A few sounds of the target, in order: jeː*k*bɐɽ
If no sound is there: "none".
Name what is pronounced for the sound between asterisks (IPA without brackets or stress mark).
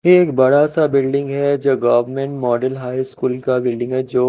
k